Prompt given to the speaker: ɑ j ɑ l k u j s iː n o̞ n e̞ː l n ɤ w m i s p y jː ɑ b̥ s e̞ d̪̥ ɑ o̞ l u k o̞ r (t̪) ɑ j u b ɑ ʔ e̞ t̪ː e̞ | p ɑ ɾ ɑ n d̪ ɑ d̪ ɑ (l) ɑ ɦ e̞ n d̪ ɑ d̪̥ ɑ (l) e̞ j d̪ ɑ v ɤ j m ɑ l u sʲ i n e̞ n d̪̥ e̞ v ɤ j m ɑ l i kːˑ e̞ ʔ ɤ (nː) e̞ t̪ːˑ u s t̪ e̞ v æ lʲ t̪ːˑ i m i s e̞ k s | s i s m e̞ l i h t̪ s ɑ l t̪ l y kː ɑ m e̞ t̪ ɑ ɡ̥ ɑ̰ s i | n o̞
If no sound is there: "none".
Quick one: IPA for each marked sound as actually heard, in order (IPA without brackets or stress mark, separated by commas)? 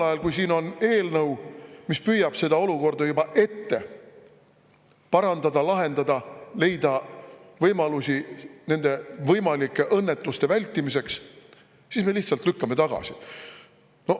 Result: d̪, l, l, nː